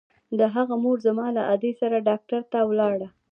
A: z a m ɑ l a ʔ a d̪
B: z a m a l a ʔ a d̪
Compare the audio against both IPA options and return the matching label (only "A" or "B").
A